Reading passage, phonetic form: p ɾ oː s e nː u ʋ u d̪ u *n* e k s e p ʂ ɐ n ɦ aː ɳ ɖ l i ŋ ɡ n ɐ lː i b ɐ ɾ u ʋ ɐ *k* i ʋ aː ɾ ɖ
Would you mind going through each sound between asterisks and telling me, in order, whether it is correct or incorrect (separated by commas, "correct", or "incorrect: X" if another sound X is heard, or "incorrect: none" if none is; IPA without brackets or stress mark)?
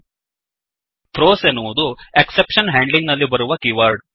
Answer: incorrect: none, correct